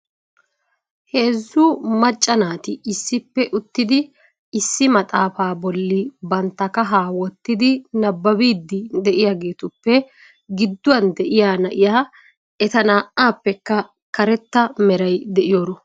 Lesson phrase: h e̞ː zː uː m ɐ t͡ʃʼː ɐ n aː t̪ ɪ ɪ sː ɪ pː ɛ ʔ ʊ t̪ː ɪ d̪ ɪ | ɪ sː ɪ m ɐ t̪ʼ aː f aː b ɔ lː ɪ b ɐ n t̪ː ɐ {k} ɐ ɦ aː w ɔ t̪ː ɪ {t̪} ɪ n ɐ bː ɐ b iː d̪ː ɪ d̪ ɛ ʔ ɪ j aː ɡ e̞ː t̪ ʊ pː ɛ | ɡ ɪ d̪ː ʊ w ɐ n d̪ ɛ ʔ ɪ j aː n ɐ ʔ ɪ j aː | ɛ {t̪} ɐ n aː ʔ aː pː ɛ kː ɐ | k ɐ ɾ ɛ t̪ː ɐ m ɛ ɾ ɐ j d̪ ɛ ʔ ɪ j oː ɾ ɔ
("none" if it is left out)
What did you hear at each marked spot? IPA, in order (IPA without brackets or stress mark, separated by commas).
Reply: k, d̪, t̪